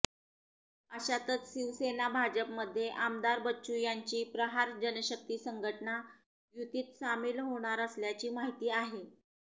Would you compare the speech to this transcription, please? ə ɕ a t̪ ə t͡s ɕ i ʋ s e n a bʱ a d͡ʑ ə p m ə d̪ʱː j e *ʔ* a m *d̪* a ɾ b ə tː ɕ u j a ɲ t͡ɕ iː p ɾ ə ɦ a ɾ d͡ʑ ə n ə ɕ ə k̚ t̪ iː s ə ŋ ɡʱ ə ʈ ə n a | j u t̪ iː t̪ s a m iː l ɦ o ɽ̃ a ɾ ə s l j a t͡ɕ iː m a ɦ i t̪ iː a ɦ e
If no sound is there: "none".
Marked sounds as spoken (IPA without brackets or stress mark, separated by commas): ʔ, d̪